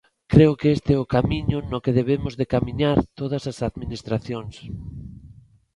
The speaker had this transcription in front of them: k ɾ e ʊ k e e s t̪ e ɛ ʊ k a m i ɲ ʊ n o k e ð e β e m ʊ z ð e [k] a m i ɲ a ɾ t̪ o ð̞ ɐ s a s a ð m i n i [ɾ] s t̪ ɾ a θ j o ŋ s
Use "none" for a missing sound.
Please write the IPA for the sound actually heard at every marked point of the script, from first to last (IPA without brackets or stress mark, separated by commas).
k, none